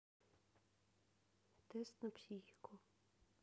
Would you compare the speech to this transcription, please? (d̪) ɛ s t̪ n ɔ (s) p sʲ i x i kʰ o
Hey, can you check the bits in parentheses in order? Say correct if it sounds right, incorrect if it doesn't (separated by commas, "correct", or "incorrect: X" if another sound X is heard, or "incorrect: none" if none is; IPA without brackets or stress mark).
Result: incorrect: t̪, incorrect: none